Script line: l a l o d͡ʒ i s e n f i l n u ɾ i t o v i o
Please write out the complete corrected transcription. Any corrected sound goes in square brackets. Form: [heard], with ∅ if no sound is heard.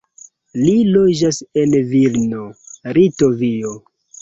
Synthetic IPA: l [i] l o d͡ʒ [a] s e n [v] i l n [o] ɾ i t o v i o

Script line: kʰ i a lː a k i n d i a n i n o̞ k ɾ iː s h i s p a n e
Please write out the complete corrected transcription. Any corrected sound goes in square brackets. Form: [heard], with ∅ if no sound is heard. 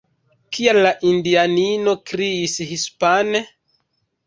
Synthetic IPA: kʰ i a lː a [ʔ] i n d i a n i n o̞ k ɾ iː s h i s p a n e

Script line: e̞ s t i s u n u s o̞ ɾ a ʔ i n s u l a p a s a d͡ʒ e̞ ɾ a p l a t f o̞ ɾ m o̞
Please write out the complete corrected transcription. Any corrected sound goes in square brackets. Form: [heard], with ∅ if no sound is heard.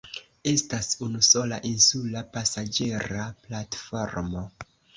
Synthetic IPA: e̞ s t [a] s u n u s o̞ [l] a ʔ i n s u l a p a s a d͡ʒ e̞ ɾ a p l a t f o̞ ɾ m o̞

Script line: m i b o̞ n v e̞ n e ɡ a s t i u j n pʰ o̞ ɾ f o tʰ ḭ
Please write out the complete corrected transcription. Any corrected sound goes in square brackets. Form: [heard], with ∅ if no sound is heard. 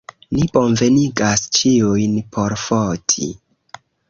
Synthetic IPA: [n] i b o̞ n v e̞ n [i] ɡ a s [t͡ʃ] i u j n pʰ o̞ ɾ f o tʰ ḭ

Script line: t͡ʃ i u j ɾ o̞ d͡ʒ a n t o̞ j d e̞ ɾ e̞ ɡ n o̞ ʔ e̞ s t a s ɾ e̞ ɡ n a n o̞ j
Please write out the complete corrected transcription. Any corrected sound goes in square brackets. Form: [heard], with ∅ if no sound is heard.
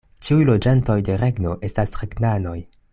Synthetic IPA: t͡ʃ i u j [l] o̞ d͡ʒ a n t o̞ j d e̞ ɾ e̞ ɡ n o̞ ʔ e̞ s t a s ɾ e̞ ɡ n a n o̞ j

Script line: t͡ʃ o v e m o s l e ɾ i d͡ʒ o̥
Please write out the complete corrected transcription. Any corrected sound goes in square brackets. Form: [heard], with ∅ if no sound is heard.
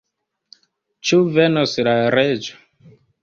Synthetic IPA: t͡ʃ [u] v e [n] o s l [a] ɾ [e] d͡ʒ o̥

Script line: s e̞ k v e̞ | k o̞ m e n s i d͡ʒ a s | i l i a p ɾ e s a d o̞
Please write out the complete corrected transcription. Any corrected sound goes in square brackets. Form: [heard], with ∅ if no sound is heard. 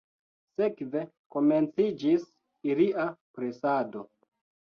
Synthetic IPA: s e̞ k v e̞ | k o̞ m e n [t͡s] i d͡ʒ [i] s | i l i a p ɾ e s a d o̞

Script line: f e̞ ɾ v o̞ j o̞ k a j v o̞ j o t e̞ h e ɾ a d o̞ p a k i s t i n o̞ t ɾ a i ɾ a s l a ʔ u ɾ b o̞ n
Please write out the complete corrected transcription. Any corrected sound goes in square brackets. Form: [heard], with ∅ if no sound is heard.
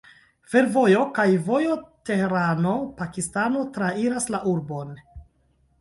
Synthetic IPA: f e̞ ɾ v o̞ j o̞ k a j v o̞ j o t e̞ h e ɾ a [n] o̞ p a k i s t [a] n o̞ t ɾ a i ɾ a s l a ʔ u ɾ b o̞ n

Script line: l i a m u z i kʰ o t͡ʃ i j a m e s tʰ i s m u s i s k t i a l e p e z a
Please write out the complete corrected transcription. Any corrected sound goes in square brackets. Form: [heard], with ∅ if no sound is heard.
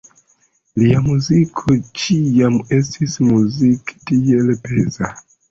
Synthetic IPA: l i a m u z i kʰ o t͡ʃ i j a m e s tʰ i s m u [z] i [∅] k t i [e] l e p e z a

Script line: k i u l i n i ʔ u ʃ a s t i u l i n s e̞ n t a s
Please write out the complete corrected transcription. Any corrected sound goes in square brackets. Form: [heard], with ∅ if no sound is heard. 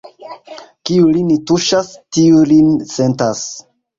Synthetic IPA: k i u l i n i [t] u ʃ a s t i u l i n s e̞ n t a s

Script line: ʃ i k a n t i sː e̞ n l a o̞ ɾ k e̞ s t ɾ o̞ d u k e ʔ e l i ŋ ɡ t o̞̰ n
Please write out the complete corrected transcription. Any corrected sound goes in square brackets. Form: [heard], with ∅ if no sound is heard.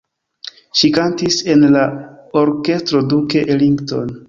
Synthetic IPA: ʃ i k a n t i [s] e̞ n l a o̞ ɾ k e̞ s t ɾ o̞ d u k e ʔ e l i ŋ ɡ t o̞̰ n

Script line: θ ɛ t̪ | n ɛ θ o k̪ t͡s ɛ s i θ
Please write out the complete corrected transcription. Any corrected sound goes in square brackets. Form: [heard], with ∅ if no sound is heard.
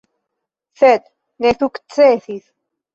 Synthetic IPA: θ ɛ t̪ | n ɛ θ [u] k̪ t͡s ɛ [θ] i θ

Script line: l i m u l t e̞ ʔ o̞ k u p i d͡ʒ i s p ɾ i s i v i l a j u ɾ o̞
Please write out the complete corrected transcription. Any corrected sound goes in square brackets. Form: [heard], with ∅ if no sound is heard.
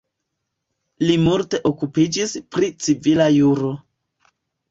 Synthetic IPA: l i m u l t e̞ ʔ o̞ k u p i d͡ʒ i s p ɾ i [t͡s] i v i l a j u ɾ o̞

